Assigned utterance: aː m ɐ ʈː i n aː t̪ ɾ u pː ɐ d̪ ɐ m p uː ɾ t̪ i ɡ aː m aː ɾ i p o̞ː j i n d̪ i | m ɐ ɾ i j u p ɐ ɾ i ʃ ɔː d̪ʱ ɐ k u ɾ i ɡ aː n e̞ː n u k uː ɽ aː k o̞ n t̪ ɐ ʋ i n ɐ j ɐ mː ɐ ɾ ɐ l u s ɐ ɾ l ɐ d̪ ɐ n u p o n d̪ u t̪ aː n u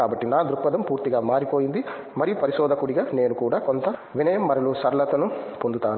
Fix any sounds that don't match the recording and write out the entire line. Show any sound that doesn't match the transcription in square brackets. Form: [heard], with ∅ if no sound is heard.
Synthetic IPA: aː [b] ɐ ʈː i n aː [d̪] ɾ u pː ɐ d̪ ɐ m p uː ɾ t̪ i ɡ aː m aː ɾ i p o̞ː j i n d̪ i | m ɐ ɾ i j u p ɐ ɾ i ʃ ɔː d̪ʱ ɐ k u [ɽ] i ɡ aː n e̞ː n u k uː ɽ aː k o̞ n t̪ ɐ ʋ i n ɐ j ɐ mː ɐ ɾ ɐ l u s ɐ ɾ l ɐ [t̪] ɐ n u p o n d̪ u t̪ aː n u